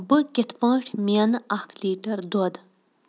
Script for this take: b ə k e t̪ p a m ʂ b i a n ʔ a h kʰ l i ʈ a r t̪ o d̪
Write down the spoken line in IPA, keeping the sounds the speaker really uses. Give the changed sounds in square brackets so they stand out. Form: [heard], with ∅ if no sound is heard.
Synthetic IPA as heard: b ə k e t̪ p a [ŋ] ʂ [m] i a n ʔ a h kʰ l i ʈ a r [d̪] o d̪